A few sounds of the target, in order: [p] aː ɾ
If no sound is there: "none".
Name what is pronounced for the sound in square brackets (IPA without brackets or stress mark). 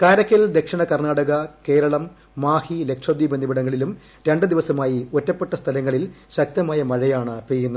k